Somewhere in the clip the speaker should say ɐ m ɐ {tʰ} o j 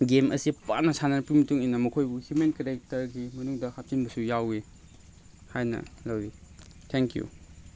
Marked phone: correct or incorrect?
incorrect